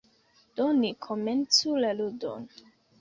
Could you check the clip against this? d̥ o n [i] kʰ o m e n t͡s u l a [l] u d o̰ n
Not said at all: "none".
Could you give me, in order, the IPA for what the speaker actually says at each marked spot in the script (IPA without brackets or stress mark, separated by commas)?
i, l